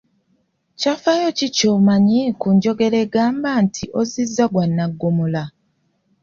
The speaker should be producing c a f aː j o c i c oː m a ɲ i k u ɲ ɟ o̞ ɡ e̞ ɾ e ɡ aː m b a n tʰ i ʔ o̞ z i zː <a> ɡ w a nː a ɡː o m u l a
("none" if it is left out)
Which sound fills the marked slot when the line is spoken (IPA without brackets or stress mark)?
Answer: a